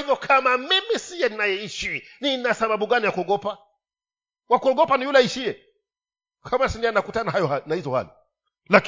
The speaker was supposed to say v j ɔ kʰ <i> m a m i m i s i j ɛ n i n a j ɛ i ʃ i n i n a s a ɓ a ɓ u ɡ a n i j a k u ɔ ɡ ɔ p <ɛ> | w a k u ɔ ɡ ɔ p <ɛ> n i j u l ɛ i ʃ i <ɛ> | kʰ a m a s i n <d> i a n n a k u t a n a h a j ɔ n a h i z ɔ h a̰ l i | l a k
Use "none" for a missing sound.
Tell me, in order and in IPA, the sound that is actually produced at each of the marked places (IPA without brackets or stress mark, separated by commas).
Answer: a, a, a, ɛ, d